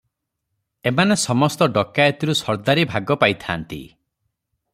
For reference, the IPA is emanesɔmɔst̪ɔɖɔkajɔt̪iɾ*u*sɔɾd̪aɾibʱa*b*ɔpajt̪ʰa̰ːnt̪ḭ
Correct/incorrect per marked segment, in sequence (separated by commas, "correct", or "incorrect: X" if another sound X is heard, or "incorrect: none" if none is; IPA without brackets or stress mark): correct, incorrect: ɡ